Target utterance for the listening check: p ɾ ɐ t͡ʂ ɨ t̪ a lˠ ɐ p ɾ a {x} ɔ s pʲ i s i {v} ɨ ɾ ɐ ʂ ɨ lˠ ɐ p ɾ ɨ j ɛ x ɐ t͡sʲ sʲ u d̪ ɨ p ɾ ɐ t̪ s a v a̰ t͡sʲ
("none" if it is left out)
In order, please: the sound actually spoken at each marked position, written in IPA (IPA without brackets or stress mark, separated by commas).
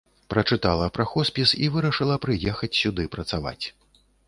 x, v